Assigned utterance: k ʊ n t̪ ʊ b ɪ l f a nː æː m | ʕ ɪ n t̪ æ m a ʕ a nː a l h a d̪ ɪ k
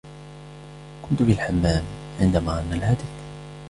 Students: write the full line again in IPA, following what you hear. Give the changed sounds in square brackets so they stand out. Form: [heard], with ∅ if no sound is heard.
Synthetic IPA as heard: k ʊ n t̪ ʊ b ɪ l [ħ] a [mː] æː m | ʕ ɪ n [d̪] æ m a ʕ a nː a l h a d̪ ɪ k